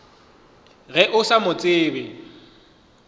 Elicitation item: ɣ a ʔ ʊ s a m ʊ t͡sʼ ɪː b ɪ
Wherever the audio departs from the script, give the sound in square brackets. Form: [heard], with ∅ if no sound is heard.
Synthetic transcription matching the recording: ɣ [ɛ] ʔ ʊ s a m ʊ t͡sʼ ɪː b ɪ